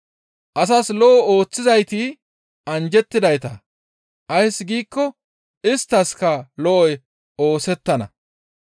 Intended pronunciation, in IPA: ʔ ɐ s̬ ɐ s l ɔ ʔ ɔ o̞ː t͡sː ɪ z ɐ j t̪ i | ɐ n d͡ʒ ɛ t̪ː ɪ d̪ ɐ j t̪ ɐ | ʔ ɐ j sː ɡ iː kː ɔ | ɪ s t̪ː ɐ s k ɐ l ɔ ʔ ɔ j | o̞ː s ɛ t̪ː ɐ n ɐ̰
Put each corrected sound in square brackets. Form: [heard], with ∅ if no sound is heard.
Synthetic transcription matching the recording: ʔ ɐ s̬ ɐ s l ɔ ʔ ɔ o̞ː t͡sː ɪ z ɐ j t̪ i | ɐ n d͡ʒ ɛ t̪ː ɪ d̪ ɐ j t̪ ɐ | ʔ ɐ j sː ɡ iː kː ɔ | ɪ s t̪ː ɐ s k ɐ l ɔ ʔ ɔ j | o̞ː s ɛ t̪ː ɐ n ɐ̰